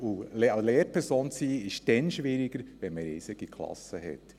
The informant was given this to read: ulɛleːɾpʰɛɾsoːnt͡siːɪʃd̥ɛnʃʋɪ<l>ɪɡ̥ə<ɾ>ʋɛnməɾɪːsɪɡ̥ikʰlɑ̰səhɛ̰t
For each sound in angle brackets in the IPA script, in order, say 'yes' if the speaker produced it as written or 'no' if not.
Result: no, yes

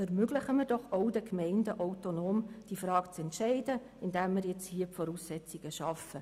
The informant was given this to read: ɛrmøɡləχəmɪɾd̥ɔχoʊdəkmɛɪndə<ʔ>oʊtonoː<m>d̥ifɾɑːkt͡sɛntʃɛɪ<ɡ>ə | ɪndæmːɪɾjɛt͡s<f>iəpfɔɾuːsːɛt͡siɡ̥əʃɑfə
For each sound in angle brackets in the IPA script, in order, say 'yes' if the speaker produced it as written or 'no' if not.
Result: yes, yes, no, no

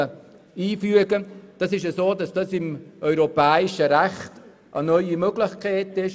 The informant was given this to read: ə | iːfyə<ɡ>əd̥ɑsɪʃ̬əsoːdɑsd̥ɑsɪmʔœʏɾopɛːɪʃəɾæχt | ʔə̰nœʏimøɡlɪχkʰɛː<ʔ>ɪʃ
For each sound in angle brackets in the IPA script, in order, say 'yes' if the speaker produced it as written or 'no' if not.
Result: yes, no

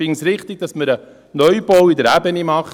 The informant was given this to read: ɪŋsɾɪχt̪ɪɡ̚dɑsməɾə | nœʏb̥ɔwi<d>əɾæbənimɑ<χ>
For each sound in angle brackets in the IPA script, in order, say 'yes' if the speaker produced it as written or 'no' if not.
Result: yes, yes

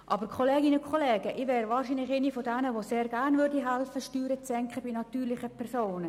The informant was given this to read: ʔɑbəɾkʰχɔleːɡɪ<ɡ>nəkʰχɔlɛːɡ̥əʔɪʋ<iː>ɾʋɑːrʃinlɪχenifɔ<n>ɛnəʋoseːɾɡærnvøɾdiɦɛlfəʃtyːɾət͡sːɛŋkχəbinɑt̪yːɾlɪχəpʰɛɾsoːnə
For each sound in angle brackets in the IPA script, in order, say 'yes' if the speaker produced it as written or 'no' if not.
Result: no, no, no

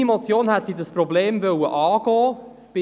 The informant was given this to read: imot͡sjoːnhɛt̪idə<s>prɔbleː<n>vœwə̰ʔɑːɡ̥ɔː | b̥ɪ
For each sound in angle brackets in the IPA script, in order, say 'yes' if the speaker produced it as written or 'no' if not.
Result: yes, no

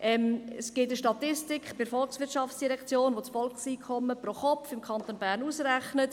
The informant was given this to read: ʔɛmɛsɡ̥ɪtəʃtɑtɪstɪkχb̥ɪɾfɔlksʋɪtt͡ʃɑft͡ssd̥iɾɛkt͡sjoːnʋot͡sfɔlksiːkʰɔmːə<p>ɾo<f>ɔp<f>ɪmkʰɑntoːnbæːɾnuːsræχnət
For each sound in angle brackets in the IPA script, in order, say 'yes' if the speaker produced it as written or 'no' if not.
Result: yes, no, yes

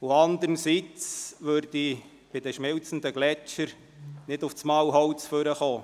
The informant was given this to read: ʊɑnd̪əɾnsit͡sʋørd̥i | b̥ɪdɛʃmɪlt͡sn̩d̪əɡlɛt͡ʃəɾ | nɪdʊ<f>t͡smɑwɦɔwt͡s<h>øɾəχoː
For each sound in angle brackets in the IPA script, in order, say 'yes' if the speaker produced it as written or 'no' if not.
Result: yes, no

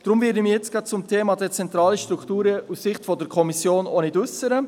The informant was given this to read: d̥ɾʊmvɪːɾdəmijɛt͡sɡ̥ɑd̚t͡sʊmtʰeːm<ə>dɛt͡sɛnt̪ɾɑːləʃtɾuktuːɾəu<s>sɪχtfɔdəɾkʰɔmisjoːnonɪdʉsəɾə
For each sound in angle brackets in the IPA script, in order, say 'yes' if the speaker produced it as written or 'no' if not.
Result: no, yes

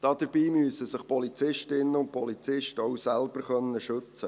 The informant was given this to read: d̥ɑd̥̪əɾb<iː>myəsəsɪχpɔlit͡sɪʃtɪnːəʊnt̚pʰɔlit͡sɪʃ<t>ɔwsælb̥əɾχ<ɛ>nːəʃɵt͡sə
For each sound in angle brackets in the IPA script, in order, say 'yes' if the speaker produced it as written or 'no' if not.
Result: yes, yes, no

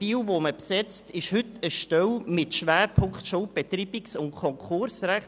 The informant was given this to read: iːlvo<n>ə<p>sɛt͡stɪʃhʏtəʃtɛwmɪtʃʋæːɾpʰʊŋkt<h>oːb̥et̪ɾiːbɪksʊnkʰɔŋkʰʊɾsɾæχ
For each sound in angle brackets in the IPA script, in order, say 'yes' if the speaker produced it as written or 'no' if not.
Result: no, yes, no

